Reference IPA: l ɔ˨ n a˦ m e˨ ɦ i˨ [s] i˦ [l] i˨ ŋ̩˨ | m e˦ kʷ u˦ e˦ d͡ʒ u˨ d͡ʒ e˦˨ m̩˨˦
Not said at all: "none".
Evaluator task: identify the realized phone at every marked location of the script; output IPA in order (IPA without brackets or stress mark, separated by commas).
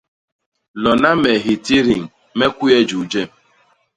t, ɾ